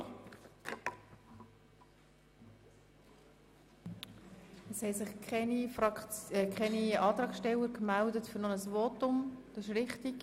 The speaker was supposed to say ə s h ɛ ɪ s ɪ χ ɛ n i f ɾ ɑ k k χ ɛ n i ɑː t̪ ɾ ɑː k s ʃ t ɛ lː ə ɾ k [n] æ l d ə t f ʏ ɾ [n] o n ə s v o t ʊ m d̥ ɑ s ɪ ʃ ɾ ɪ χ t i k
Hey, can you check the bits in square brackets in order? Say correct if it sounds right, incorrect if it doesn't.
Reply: incorrect: m, correct

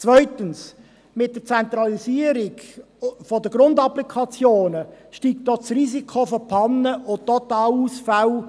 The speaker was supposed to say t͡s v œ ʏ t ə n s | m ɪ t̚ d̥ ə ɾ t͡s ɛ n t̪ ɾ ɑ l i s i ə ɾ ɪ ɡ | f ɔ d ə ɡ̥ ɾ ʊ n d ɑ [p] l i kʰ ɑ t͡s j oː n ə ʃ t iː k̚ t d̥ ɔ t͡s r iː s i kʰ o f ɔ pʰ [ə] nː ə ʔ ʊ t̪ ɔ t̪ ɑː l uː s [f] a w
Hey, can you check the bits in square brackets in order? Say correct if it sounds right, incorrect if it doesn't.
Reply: correct, incorrect: ɑ, correct

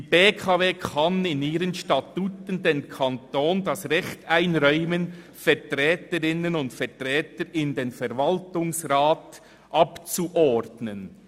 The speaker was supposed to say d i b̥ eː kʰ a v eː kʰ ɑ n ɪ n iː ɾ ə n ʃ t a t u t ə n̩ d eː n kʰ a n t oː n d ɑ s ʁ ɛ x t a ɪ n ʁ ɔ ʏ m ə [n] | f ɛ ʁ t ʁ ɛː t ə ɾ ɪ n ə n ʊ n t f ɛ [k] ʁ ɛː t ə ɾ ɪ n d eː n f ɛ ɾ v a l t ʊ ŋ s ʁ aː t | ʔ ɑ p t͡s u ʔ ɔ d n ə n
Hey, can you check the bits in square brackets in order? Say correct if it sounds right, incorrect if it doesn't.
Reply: correct, incorrect: t

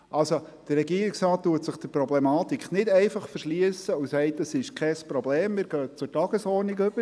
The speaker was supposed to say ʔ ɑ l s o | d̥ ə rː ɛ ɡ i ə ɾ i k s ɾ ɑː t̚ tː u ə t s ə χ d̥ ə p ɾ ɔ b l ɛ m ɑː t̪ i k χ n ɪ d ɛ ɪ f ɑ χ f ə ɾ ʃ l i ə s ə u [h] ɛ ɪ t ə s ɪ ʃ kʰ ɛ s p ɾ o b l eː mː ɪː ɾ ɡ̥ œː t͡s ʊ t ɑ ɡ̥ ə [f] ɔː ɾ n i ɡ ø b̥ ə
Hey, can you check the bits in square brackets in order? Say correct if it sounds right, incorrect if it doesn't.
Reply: incorrect: s, incorrect: s

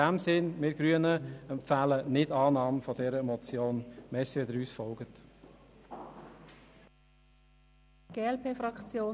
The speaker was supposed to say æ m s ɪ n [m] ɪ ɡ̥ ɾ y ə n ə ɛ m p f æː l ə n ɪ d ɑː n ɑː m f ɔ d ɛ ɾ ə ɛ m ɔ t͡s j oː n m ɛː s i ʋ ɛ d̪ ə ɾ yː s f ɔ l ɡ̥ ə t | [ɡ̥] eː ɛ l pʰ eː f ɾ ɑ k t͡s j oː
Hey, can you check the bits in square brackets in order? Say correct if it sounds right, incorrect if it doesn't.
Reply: correct, correct

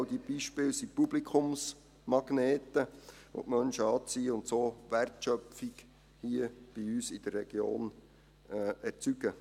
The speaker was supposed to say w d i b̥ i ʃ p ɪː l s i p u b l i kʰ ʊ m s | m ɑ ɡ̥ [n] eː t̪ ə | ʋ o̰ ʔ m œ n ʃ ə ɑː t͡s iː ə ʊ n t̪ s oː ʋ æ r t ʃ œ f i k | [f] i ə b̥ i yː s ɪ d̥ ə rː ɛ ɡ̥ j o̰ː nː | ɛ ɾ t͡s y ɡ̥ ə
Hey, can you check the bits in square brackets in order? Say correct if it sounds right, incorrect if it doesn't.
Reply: correct, incorrect: h

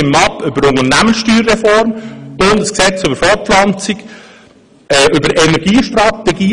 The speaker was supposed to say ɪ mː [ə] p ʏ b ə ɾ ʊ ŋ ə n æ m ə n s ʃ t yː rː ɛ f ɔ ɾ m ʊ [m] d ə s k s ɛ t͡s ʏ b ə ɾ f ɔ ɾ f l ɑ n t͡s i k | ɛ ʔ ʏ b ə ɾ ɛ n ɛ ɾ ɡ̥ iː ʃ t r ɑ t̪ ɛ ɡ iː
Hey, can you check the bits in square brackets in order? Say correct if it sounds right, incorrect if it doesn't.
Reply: incorrect: ɑ, incorrect: n

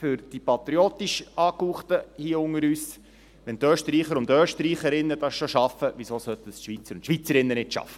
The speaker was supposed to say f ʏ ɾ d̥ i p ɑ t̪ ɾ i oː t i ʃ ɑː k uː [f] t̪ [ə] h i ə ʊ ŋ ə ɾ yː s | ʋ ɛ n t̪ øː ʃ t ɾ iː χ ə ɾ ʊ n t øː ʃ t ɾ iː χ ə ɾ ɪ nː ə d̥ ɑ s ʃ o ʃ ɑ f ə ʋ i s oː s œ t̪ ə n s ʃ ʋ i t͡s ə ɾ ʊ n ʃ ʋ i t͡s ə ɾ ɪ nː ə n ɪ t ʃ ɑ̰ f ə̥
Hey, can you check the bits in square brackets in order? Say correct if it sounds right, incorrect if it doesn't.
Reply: incorrect: χ, correct

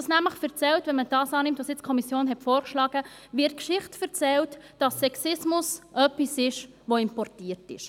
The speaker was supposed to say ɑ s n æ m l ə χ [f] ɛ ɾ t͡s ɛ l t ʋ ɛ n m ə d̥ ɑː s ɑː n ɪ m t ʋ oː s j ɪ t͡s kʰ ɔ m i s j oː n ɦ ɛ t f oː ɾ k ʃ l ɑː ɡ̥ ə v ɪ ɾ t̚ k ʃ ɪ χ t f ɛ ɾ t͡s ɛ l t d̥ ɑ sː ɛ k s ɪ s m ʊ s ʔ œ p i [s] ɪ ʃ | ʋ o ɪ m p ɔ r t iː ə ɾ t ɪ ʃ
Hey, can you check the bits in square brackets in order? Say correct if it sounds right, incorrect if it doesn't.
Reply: correct, correct

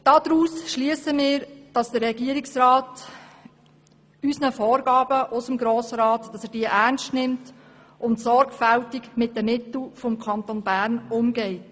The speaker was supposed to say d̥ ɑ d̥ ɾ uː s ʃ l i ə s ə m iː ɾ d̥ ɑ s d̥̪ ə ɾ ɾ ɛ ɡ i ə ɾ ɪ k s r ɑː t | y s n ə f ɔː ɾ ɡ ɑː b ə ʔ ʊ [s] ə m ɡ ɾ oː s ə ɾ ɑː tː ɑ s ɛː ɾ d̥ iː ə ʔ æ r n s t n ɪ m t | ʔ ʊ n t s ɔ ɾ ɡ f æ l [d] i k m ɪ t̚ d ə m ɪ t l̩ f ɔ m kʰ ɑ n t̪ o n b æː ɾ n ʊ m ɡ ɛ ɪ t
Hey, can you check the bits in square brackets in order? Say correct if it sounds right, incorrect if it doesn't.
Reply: correct, incorrect: t

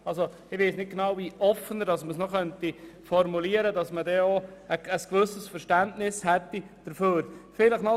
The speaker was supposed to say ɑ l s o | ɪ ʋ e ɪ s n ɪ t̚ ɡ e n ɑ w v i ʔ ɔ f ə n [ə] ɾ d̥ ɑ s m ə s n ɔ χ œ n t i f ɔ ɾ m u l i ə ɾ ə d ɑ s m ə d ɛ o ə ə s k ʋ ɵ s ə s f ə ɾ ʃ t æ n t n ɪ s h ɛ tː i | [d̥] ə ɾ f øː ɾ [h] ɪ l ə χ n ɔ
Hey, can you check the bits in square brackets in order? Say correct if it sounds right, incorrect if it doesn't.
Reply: correct, correct, incorrect: f

